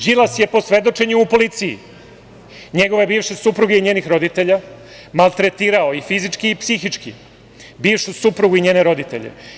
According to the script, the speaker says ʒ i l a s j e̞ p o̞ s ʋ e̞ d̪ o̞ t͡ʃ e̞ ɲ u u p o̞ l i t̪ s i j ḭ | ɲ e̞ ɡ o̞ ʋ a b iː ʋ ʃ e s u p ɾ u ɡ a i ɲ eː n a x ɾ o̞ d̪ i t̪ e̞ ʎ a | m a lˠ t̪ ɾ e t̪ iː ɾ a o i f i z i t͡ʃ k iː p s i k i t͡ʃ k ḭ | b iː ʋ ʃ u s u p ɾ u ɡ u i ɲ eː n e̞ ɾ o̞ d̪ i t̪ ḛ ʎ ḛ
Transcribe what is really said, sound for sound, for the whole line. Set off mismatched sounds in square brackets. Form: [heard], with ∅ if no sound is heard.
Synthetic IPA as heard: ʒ i l a s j e̞ p o̞ s ʋ e̞ d̪ o̞ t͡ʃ e̞ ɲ u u p o̞ l i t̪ s i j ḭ | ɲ e̞ ɡ o̞ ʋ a b iː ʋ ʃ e s u p ɾ u ɡ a i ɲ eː n [i] x ɾ o̞ d̪ i t̪ e̞ ʎ a | m a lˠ t̪ ɾ e t̪ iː ɾ a o i f i z i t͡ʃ k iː p s i [x] i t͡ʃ k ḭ | b iː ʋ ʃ u s u p ɾ u ɡ u i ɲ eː n e̞ ɾ o̞ d̪ i t̪ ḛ ʎ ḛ